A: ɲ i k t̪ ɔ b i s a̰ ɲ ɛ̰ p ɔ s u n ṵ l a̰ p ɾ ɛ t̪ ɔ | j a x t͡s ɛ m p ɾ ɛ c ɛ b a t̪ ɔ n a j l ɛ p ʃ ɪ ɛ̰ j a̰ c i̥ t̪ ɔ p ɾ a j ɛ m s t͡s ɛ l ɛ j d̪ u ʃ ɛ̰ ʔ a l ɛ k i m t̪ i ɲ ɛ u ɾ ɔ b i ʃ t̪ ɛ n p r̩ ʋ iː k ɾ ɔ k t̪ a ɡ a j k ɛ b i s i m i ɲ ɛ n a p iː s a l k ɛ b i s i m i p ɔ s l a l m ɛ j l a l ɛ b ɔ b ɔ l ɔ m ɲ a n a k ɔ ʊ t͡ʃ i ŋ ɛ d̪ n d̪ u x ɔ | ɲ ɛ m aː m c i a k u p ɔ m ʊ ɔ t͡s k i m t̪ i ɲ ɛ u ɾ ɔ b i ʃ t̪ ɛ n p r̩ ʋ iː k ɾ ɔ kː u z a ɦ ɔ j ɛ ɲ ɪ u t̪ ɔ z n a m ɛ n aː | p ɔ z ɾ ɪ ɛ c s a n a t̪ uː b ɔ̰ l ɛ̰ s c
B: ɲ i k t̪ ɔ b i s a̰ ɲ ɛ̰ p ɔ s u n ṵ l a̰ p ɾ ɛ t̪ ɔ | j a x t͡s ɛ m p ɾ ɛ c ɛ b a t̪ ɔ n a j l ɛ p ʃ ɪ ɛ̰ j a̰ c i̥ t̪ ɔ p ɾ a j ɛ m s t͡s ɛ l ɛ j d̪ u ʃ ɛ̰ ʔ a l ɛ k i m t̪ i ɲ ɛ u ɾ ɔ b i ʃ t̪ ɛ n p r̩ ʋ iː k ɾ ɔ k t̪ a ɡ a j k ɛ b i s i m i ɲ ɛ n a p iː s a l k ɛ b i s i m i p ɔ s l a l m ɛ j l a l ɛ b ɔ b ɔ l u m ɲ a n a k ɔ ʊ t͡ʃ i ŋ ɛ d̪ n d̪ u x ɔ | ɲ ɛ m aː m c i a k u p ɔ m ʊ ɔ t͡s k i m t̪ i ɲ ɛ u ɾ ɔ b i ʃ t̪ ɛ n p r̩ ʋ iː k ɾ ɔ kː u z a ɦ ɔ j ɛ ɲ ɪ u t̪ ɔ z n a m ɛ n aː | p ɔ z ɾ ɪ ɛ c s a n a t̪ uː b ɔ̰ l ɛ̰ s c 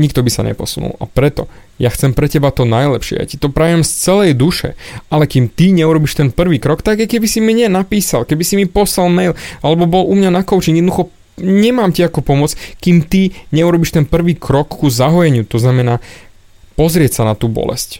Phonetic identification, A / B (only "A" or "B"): B